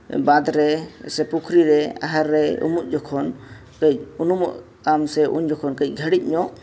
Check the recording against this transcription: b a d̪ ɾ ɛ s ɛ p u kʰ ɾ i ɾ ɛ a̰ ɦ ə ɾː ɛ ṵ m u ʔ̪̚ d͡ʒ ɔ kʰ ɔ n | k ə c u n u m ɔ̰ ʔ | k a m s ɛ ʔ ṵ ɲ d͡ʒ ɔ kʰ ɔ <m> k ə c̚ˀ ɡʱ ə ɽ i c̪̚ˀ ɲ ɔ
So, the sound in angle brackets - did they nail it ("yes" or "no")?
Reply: no